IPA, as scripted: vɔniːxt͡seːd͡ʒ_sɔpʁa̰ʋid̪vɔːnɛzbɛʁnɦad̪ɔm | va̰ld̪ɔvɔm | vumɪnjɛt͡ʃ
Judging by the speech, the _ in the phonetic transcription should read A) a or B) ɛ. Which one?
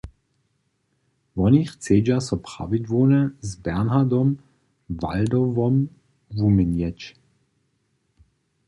A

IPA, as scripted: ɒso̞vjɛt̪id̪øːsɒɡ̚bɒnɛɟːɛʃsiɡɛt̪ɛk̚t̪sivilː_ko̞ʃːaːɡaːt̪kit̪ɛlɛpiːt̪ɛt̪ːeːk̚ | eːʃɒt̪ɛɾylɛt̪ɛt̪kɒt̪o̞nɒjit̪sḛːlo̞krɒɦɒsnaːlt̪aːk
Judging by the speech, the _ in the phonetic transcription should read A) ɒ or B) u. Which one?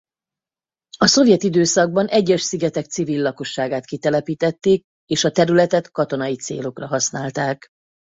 A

